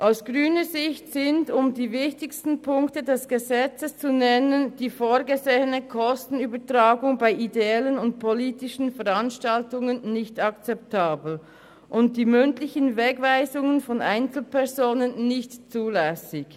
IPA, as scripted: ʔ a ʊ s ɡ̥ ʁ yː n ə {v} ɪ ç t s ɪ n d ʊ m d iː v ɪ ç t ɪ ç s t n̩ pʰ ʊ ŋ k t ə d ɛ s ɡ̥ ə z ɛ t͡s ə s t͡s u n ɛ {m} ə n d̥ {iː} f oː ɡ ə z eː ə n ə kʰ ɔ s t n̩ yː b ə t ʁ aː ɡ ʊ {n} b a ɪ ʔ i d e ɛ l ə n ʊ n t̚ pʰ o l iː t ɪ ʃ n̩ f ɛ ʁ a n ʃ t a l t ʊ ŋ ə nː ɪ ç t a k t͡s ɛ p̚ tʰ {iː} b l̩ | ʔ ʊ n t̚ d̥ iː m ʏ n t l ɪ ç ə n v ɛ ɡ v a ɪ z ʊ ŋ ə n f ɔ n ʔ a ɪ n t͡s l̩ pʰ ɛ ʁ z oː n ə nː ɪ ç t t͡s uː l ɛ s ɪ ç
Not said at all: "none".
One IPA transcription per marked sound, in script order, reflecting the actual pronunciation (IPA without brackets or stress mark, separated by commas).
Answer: z, n, iː, ŋ, aː